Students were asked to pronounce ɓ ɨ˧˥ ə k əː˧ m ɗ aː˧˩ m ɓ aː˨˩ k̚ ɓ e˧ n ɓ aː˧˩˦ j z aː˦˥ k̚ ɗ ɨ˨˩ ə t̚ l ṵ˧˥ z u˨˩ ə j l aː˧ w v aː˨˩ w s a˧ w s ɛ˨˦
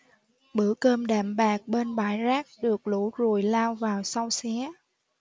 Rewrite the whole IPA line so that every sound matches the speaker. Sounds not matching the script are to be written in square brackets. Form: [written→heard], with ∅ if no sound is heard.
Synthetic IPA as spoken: ɓ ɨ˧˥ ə k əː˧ m ɗ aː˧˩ m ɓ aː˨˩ k̚ ɓ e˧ n ɓ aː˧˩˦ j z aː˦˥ k̚ ɗ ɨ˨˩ ə [t̚→k̚] l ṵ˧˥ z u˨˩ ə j l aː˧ w v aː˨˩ w s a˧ w s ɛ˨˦